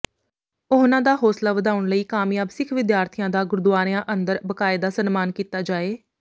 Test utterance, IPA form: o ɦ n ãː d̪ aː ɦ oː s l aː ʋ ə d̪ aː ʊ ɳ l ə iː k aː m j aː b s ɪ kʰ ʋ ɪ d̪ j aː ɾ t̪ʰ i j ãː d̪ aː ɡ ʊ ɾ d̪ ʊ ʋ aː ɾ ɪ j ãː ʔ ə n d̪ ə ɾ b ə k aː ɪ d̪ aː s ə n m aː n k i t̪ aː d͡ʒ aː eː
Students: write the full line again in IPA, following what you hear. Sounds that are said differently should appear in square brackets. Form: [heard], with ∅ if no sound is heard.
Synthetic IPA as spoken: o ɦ n ãː d̪ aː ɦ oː s l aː ʋ ə d̪ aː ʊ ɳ l ə iː k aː m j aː b s ɪ kʰ ʋ ɪ d̪ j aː ɾ t̪ʰ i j ãː d̪ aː ɡ ʊ ɾ d̪ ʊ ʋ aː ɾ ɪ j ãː ʔ ə n d̪ ə ɾ b ə k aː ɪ d̪ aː s ə n m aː n k [iː] t̪ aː d͡ʒ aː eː